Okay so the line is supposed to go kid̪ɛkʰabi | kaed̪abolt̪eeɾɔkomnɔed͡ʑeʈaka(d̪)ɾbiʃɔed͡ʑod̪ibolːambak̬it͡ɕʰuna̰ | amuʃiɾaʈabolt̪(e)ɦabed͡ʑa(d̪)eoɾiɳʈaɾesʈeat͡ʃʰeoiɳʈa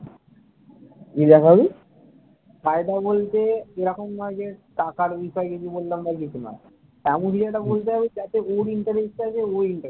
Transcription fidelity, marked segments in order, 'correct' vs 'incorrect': incorrect, correct, incorrect

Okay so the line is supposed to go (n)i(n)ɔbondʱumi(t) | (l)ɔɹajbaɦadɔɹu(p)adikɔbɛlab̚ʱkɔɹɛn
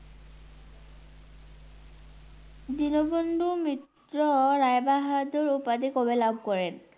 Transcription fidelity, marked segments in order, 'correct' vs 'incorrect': incorrect, correct, correct, incorrect, correct

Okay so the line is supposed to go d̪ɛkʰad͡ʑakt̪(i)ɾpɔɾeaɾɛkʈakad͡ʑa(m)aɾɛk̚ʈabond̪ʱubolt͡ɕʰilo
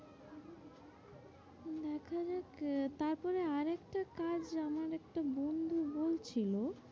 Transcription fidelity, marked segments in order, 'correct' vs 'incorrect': incorrect, correct

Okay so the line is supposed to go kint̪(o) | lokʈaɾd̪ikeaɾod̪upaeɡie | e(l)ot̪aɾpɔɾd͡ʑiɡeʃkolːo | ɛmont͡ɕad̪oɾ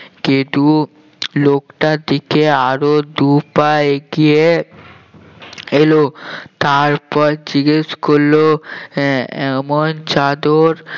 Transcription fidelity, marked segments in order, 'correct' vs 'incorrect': incorrect, correct

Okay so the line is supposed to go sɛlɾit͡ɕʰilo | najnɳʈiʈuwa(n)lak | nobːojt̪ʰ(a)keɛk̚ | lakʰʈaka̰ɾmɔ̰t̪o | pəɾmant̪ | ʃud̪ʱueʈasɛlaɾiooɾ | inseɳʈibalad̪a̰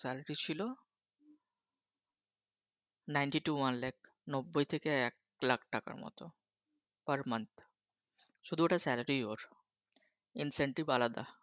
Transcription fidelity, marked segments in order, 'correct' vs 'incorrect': correct, incorrect

